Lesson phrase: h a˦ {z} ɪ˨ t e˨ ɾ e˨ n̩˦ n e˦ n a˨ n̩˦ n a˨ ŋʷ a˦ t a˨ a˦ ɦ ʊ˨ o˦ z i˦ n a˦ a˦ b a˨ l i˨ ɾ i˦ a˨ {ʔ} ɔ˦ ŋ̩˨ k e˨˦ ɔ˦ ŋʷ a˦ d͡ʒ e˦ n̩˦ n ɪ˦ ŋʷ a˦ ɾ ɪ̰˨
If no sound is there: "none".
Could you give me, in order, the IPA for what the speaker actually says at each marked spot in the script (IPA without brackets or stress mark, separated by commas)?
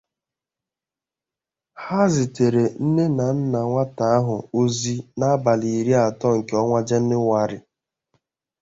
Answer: z, t